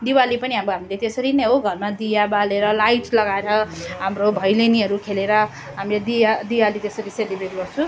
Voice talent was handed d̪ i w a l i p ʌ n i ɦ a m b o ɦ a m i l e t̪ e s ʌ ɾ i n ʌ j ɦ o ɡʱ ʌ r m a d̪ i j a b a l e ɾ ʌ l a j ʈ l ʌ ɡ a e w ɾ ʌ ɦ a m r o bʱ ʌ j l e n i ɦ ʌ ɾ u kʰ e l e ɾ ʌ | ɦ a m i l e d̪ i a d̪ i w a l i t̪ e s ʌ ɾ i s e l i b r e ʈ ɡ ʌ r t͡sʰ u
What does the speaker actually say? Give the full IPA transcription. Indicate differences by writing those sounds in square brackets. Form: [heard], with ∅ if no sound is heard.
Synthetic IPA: d̪ i w a l i p ʌ n i ɦ a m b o ɦ a m i l e t̪ e s ʌ ɾ i n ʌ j ɦ o ɡʱ ʌ r m a d̪ i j a b a l e ɾ ʌ l a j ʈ l ʌ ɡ a e [∅] ɾ ʌ ɦ a m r o bʱ ʌ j l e n i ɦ ʌ ɾ u kʰ e l e ɾ ʌ | ɦ a m i l e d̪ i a d̪ i w a l i t̪ e s ʌ ɾ i s e l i b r e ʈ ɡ ʌ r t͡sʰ u